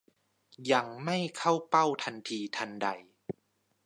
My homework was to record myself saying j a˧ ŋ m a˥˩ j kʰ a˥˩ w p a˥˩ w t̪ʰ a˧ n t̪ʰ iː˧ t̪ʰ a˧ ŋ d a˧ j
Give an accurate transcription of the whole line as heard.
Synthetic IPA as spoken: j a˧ ŋ m a˥˩ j kʰ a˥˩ w p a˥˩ w t̪ʰ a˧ n t̪ʰ iː˧ t̪ʰ a˧ n d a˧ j